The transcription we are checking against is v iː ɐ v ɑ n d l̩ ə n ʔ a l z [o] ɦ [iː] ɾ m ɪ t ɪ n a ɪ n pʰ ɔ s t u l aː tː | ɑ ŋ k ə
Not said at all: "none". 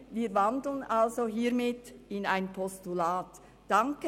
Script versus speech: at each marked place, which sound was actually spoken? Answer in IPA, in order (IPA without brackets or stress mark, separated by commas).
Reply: o, iː